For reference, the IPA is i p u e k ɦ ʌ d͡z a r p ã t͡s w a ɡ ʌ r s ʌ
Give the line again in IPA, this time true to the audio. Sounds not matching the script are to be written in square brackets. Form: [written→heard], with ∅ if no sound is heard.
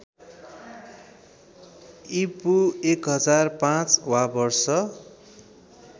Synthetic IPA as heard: i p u e k ɦ ʌ d͡z a r p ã t͡s w a [ɡ→b] ʌ r s ʌ